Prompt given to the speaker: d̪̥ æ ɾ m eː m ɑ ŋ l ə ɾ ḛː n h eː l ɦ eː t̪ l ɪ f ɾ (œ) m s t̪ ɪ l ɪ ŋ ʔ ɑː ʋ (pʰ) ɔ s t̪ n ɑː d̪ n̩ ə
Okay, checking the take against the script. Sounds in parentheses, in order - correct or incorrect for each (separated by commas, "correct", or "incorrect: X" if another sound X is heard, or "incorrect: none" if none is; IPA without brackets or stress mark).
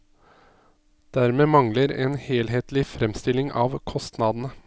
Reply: incorrect: ɛ, incorrect: kʰ